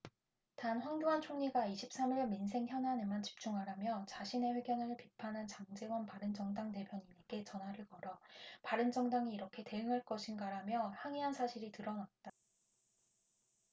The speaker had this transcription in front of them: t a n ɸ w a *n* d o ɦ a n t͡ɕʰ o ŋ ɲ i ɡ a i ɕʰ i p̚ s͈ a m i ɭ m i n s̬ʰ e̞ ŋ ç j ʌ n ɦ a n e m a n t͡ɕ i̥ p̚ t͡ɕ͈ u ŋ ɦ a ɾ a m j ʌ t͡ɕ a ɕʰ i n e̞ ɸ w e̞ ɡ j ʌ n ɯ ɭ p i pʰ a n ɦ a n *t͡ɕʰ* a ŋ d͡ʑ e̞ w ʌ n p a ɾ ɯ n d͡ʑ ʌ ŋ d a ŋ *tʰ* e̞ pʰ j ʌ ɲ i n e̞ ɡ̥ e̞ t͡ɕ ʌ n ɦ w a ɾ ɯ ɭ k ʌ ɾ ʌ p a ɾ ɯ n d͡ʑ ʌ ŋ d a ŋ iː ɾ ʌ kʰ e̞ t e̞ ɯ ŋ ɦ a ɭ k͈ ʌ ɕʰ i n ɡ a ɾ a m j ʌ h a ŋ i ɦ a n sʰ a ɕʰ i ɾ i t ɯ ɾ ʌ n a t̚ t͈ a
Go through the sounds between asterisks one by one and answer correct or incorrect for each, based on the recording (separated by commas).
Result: incorrect, incorrect, incorrect